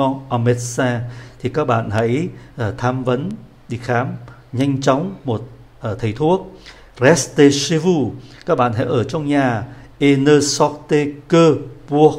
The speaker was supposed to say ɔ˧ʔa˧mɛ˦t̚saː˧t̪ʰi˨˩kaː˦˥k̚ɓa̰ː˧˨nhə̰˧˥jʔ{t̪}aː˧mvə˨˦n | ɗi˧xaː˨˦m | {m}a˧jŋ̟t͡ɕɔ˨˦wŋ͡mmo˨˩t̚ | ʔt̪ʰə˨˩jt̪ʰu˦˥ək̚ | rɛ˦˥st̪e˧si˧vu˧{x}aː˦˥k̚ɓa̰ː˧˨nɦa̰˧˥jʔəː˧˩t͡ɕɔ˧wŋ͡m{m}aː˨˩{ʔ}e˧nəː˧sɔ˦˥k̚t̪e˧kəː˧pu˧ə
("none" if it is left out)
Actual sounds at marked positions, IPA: t̪ʰ, ɲ, k, ɲ, ʔ

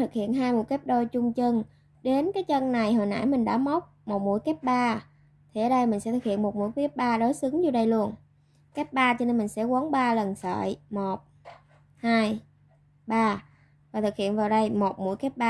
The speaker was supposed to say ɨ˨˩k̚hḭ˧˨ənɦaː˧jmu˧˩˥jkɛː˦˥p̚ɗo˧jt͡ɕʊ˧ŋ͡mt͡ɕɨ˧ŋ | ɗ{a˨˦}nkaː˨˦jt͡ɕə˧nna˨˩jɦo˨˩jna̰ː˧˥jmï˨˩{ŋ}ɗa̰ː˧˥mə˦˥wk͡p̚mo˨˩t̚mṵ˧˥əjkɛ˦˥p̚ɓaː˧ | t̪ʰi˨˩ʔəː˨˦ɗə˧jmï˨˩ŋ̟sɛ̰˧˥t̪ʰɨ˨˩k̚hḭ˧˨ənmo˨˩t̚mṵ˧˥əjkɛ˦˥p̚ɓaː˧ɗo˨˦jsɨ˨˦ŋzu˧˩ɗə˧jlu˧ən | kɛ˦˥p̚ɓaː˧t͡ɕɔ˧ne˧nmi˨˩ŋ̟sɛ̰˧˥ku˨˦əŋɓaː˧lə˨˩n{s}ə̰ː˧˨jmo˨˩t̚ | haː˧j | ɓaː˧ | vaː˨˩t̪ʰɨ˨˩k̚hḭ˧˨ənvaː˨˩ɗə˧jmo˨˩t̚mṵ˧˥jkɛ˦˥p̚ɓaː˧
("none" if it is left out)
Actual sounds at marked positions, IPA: e˨˦, ŋ, s

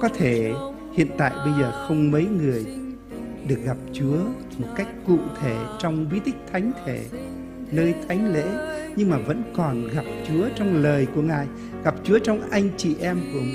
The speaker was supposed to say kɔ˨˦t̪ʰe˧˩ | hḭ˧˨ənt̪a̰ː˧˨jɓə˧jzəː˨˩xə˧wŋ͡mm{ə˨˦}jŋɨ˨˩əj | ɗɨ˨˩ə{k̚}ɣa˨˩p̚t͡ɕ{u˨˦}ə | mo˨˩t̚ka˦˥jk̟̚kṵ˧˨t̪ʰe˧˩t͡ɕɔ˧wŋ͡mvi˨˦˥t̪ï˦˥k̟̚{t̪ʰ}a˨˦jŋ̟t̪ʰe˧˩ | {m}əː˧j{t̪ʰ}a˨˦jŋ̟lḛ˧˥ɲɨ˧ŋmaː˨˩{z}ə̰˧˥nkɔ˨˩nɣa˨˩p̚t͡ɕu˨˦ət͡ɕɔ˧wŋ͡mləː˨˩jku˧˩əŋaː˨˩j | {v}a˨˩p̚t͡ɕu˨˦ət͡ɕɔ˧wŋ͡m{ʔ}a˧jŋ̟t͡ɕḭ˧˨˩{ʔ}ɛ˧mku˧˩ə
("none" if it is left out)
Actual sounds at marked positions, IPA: ə˨˦, k̚, u˨˦, t̪ʰ, n, t̪ʰ, v, ɣ, ʔ, ʔ

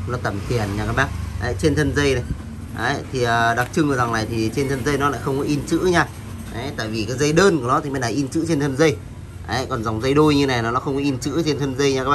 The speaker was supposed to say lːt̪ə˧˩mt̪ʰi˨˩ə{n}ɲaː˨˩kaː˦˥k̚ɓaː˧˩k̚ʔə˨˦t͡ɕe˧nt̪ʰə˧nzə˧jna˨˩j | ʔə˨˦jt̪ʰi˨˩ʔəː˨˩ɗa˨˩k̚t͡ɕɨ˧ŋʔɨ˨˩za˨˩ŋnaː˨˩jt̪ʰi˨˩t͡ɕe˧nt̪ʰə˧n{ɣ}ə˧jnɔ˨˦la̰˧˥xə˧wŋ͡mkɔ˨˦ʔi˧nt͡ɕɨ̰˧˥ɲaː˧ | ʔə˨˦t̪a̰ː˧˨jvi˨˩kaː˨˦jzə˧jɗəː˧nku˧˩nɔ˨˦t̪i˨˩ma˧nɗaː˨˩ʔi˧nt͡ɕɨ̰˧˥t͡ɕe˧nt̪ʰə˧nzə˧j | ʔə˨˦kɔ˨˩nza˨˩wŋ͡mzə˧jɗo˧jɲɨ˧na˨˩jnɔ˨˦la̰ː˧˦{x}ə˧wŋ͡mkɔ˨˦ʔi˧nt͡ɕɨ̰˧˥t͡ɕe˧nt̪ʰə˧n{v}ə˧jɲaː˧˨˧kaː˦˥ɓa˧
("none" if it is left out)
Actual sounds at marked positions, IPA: n, z, x, z

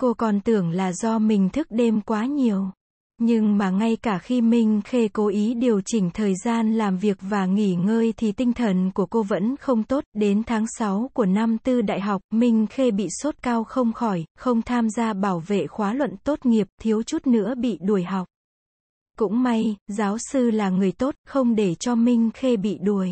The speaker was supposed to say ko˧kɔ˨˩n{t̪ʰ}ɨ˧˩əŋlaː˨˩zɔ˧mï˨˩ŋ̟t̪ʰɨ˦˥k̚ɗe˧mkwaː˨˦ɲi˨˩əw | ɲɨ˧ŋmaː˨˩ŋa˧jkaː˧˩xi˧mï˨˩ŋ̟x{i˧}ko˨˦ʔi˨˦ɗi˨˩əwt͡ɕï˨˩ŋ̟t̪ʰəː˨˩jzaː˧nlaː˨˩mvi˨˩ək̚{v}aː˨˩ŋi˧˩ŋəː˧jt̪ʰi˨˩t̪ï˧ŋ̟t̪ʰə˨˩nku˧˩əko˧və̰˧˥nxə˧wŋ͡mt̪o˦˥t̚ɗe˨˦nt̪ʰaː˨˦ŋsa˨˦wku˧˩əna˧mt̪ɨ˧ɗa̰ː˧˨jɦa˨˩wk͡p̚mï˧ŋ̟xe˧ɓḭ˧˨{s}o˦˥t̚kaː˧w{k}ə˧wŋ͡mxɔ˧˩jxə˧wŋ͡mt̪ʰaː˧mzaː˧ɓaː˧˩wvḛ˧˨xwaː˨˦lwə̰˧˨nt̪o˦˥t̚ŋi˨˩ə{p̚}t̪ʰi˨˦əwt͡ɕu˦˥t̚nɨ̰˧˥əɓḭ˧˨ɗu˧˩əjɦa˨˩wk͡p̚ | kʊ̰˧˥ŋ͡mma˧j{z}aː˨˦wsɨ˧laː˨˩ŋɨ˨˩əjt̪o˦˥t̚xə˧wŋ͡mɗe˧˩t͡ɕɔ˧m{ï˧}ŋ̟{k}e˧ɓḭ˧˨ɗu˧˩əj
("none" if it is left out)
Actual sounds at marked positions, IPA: t̪, e˧, v, s, x, p̚, z, ï˧, x

